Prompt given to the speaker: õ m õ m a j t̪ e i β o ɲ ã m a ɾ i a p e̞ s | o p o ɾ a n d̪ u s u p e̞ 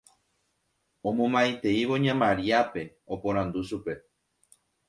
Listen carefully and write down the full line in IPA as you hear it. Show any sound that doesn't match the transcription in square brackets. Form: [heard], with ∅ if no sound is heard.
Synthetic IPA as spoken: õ m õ m a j t̪ e i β o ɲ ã m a ɾ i a p e̞ [∅] | o p o ɾ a n d̪ u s u p e̞